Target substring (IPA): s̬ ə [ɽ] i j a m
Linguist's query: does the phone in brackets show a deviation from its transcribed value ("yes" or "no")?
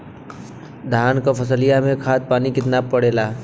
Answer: yes